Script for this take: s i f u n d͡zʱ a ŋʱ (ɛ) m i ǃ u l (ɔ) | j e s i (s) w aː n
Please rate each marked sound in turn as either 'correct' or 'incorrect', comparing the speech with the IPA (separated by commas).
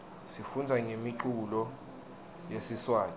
incorrect, correct, correct